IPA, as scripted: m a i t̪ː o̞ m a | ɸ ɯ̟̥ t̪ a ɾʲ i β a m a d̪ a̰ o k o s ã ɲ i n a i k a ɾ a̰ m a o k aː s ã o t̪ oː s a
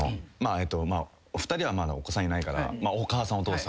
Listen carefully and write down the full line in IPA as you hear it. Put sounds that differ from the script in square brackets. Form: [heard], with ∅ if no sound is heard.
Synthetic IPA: m a [e] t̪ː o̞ m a | ɸ ɯ̟̥ t̪ a ɾʲ i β a m a d̪ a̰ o k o s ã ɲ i n a i k a ɾ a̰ m a o k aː s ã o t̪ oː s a